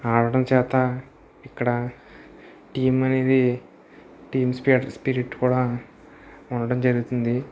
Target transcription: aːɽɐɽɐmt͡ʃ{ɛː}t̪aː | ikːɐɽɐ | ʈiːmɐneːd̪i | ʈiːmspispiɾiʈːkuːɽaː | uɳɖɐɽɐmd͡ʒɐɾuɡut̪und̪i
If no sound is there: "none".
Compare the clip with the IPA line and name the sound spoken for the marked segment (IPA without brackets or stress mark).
ɛː